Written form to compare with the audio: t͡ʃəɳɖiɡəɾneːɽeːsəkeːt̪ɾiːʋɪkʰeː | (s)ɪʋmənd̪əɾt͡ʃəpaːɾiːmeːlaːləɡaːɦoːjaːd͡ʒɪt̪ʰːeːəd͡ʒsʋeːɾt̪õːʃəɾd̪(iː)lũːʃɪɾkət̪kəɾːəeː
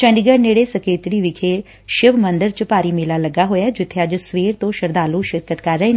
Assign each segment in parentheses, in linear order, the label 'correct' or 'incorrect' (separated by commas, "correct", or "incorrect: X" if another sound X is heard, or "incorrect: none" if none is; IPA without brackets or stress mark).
incorrect: ʃ, incorrect: aː